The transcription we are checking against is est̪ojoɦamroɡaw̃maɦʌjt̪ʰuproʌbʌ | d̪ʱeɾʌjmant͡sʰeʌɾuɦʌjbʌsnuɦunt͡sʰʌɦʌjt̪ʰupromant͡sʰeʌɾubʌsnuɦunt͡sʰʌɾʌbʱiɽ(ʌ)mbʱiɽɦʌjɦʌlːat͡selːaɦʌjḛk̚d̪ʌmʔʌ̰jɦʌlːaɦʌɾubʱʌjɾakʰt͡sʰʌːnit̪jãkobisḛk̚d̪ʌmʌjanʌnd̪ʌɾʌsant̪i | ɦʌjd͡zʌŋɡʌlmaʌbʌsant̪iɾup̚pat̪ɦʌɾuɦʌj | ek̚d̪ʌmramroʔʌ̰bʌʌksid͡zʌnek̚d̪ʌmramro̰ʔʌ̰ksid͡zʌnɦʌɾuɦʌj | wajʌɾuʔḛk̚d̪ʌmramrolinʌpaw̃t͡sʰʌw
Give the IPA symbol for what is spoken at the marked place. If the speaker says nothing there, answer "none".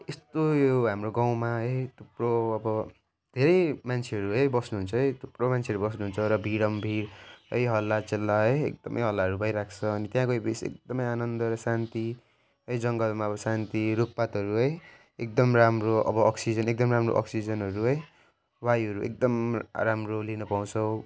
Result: ʌ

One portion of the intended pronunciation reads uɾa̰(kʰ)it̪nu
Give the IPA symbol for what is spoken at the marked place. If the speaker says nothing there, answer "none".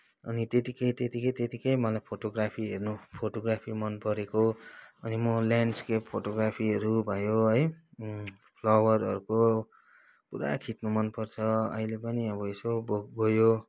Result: kʰ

